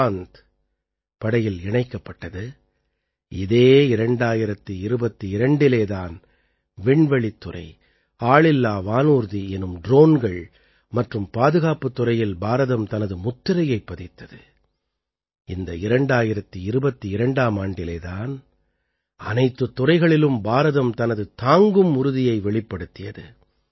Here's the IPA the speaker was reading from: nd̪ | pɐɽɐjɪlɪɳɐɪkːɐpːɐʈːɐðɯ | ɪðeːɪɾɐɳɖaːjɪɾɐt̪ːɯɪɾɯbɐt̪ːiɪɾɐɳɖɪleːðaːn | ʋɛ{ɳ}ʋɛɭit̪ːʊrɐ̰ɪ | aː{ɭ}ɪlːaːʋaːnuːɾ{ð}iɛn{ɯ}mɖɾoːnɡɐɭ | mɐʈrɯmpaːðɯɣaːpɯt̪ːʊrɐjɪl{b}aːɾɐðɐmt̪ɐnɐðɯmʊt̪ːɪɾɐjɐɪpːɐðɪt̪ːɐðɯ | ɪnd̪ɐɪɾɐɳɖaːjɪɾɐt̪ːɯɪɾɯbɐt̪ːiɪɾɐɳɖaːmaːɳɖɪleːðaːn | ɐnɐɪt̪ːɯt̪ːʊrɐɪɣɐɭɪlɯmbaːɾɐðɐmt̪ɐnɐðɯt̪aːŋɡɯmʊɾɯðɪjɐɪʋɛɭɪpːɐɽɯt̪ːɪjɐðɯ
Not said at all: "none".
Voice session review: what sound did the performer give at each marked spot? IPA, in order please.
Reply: ɳ, ɭ, ð, ɯ, b

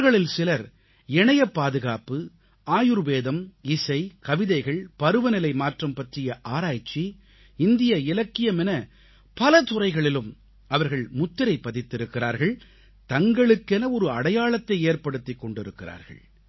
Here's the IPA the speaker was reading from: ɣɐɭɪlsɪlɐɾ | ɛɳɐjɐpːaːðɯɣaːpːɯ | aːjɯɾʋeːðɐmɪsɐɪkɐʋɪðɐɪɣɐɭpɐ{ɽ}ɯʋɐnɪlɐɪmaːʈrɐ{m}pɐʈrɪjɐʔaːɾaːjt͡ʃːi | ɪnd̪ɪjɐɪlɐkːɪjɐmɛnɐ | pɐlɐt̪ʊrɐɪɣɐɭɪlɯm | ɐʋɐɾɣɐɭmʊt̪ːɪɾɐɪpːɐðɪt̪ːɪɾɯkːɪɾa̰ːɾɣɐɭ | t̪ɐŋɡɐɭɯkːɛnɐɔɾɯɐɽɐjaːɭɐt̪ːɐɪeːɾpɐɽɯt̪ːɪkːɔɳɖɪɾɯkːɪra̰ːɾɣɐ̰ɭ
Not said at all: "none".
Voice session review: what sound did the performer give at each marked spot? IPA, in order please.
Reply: ɾ, m

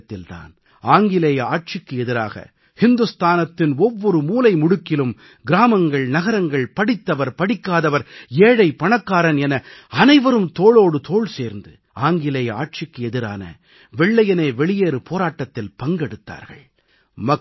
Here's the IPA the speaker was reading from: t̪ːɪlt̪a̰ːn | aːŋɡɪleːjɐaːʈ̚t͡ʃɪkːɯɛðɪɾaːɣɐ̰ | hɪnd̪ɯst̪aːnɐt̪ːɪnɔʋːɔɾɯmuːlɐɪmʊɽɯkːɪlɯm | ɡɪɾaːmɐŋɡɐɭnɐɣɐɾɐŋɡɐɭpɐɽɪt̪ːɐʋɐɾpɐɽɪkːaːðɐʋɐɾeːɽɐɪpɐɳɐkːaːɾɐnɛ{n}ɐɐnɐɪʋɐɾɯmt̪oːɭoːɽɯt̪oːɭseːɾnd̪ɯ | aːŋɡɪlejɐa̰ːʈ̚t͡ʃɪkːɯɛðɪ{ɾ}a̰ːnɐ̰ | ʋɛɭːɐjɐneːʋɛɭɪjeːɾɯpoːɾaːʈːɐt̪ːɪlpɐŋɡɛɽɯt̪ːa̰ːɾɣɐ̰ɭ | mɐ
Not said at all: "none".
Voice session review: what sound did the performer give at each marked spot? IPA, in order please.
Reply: n, ɾ

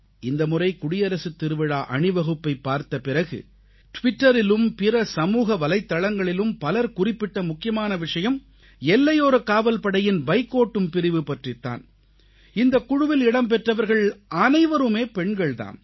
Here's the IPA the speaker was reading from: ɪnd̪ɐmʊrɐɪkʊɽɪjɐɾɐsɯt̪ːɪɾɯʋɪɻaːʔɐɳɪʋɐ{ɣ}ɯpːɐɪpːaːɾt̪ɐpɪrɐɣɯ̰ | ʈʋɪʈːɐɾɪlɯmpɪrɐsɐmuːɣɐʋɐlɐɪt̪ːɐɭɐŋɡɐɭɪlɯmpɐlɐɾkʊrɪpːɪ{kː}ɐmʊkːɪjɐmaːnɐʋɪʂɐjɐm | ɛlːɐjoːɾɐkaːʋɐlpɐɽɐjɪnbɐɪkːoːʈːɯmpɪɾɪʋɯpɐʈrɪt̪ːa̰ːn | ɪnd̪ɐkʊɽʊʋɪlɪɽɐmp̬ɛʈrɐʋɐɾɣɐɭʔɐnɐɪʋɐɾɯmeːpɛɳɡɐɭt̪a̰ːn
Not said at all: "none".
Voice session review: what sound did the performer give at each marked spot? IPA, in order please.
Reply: ɣ, ʈː

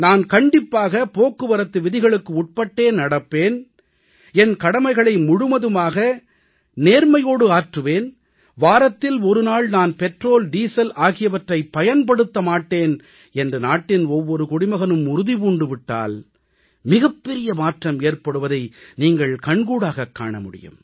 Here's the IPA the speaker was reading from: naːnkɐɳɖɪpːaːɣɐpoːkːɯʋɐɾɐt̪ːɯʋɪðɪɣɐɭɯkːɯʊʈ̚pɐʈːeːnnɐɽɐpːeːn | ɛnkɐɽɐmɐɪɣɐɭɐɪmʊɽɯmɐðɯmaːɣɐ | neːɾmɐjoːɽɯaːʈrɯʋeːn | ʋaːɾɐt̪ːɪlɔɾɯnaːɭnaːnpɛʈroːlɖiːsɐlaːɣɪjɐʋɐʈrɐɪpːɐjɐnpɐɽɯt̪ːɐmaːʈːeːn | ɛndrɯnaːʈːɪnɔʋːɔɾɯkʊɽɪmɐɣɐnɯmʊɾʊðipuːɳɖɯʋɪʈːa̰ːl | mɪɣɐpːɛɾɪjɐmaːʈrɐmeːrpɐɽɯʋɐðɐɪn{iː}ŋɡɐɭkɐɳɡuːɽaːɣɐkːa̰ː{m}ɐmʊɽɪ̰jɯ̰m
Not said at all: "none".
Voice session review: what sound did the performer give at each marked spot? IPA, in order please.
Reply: iː, ɳ

